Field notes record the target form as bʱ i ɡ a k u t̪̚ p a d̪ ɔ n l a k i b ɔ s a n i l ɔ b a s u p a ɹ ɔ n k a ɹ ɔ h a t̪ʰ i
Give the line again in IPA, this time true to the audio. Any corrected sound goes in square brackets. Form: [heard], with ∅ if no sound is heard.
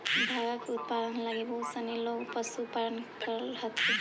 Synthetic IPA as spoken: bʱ [a] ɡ a k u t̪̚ p a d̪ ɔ n l a [ɡ] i b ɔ s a n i l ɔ [p] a s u p a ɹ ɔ n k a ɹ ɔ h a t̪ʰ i